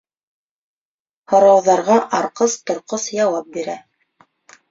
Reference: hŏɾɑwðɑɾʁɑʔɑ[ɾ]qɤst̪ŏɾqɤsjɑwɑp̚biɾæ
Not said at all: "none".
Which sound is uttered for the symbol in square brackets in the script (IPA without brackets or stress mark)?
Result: ɾ